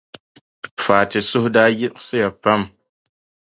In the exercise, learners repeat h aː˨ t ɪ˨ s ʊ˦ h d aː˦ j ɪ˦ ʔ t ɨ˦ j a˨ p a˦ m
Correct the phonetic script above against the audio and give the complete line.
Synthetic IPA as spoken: f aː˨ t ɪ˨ s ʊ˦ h d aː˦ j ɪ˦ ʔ s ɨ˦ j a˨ p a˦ m